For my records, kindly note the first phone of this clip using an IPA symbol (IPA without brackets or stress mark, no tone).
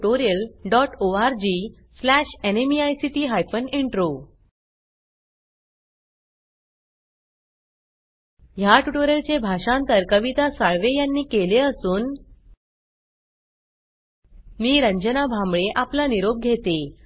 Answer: o